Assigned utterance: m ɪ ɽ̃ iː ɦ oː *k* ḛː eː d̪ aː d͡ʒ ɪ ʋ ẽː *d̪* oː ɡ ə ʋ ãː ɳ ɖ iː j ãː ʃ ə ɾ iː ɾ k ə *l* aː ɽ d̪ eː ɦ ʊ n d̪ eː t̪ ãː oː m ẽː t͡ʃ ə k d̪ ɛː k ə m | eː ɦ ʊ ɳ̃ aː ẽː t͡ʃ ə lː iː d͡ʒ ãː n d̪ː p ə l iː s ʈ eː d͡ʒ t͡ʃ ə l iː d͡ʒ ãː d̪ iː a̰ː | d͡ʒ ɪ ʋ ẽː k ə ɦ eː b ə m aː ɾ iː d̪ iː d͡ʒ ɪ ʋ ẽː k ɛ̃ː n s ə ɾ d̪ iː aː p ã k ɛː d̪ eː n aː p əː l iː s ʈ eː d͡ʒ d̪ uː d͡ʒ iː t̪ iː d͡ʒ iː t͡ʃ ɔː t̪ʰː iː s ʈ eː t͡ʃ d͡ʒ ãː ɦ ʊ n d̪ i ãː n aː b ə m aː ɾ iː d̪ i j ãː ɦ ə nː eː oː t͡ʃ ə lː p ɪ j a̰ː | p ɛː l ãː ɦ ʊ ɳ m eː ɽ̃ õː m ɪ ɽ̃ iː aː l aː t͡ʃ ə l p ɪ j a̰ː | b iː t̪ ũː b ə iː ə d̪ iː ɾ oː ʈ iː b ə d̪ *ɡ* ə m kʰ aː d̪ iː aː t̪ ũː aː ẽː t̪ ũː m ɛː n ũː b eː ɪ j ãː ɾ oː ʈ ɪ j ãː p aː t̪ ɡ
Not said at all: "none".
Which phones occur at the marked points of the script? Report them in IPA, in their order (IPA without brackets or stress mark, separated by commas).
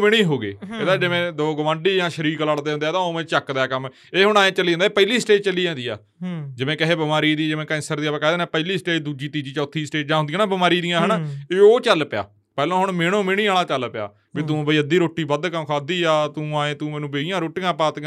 ɡ, d̪, l, k